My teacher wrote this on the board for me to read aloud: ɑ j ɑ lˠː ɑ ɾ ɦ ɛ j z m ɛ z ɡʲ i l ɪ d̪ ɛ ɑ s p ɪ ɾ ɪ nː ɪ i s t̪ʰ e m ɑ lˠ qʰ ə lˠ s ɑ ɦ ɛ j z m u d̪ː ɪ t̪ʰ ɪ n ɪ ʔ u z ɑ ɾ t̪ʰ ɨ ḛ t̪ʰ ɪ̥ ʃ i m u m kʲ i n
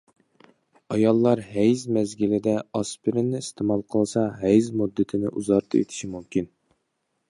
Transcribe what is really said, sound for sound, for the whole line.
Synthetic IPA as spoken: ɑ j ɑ lˠː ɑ ɾ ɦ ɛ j z m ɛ z ɡʲ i l ɪ d̪ ɛ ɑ s p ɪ ɾ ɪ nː ɪ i s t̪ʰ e m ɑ lˠ qʰ ə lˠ s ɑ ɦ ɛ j z m u d̪ː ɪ t̪ʰ ɪ n ɪ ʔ u z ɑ ɾ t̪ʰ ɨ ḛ t̪ʰ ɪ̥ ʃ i m u m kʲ i n

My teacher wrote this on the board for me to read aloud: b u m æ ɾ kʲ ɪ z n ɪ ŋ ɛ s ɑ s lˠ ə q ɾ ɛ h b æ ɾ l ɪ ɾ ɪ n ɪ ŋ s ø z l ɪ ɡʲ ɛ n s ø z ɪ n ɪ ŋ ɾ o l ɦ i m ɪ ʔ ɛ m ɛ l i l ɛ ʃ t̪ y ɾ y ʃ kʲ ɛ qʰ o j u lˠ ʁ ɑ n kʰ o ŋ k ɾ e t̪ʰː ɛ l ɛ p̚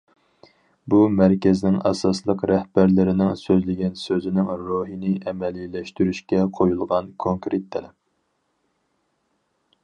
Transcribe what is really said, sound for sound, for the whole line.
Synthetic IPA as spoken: b u m æ ɾ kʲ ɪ z n ɪ ŋ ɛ s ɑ s lˠ ə q ɾ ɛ h b æ ɾ l ɪ ɾ ɪ n ɪ ŋ s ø z l ɪ ɡʲ ɛ n s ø z ɪ n ɪ ŋ ɾ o ɦ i n ɪ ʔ ɛ m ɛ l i l ɛ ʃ t̪ y ɾ y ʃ kʲ ɛ qʰ o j u lˠ ʁ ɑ n kʰ o ŋ k ɾ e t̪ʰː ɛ l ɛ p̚

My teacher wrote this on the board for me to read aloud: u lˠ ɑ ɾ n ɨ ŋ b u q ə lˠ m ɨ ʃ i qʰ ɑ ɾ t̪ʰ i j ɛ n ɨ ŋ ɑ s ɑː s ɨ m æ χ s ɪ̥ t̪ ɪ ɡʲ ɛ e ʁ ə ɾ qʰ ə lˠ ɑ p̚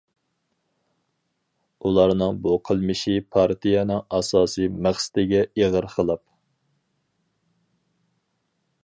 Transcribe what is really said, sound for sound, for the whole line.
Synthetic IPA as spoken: u lˠ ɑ ɾ n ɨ ŋ b u qʰ ə lˠ m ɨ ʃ i pʰ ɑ ɾ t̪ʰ i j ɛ n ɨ ŋ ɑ s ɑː s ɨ m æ χ s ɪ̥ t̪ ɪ ɡʲ ɛ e ʁ ə ɾ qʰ ə lˠ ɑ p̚

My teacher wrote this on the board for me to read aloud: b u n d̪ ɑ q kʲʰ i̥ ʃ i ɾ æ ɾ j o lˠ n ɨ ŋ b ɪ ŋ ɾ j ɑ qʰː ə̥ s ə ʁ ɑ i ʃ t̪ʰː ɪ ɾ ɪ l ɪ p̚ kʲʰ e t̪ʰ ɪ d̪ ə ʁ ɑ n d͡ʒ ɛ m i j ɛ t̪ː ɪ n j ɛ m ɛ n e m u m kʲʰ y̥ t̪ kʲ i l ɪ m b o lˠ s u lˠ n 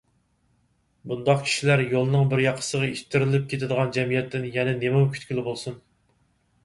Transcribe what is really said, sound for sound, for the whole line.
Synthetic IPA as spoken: b u n d̪ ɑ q kʲʰ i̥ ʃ i l æ ɾ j o lˠ n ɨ ŋ b ɪ ɾ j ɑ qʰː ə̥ s ə ʁ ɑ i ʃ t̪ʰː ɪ ɾ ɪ l ɪ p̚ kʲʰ e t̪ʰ ɪ d̪ ə ʁ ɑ n d͡ʒ ɛ m i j ɛ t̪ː ɪ n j ɛ n ɛ n e m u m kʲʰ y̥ t̪ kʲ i l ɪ b o lˠ s u n

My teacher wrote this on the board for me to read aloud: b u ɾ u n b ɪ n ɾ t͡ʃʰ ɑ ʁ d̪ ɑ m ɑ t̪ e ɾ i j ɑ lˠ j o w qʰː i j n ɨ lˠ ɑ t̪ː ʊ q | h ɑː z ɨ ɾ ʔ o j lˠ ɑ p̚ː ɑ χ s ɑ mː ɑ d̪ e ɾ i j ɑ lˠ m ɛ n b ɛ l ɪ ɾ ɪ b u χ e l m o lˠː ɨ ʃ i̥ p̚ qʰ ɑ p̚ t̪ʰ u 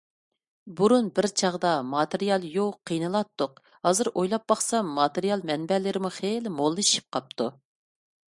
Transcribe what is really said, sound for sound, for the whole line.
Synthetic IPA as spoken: b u ɾ u n b ɪ ɾ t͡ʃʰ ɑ ʁ d̪ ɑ m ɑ t̪ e ɾ i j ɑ lˠ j o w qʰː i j n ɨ lˠ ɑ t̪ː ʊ q | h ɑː z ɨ ɾ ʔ o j lˠ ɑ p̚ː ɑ χ s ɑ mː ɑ t̪ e ɾ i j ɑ lˠ m ɛ n b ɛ l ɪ ɾ ɪ m u χ e l m o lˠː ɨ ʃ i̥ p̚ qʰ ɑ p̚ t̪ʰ u

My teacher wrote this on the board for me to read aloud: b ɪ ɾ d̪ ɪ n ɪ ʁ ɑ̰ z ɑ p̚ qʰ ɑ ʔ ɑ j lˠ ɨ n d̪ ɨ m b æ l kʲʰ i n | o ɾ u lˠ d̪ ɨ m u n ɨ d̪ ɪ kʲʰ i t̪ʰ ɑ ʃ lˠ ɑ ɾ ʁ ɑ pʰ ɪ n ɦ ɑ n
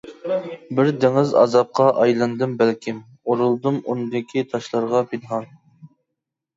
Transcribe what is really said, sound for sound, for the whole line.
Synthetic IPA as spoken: b ɪ ɾ d̪ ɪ ŋ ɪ z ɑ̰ z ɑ p̚ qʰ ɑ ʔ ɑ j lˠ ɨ n d̪ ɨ m b æ l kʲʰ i m | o ɾ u lˠ d̪ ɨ m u n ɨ d̪ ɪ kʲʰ i t̪ʰ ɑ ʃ lˠ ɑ ɾ ʁ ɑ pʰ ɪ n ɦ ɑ n

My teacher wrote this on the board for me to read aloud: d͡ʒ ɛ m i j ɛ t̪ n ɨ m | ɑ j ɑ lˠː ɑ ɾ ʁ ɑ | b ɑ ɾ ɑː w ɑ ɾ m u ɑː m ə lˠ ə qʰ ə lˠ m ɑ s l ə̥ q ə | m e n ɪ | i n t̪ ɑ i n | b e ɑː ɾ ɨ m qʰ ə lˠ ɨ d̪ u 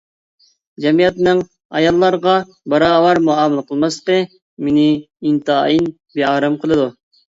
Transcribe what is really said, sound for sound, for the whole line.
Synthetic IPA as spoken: d͡ʒ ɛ m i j ɛ t̪ n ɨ ŋ | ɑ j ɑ lˠː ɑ ɾ ʁ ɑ | b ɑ ɾ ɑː w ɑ ɾ m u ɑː m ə lˠ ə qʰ ə lˠ m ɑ s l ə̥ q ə | m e n ɪ | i n t̪ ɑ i n | b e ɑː ɾ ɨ m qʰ ə lˠ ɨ d̪ u

